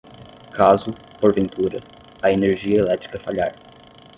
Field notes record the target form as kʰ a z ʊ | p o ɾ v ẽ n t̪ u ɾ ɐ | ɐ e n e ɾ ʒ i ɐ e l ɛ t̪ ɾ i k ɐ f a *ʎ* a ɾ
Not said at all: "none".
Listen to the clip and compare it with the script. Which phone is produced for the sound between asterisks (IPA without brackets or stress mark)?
ʎ